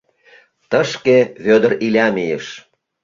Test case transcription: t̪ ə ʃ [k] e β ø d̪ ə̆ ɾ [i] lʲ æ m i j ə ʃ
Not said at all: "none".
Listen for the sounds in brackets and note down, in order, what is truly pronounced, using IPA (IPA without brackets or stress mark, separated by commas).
k, i